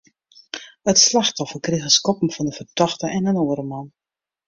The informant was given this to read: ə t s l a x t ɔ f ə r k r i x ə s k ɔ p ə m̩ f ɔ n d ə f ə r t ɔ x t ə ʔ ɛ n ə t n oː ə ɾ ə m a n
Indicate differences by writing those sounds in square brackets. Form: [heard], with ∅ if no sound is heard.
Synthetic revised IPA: ə t s l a x t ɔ f ə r k r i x ə s k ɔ p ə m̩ f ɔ n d ə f ə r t ɔ x t ə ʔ ɛ n ə [∅] n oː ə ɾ ə m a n